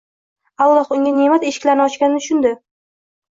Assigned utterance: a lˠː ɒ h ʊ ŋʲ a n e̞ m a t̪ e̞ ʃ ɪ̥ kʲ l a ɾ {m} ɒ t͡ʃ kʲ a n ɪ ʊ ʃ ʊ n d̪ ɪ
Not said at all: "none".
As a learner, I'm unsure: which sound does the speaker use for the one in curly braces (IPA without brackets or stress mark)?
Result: n